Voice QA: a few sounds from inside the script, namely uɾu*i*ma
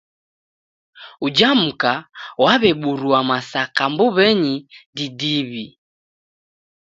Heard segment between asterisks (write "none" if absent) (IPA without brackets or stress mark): a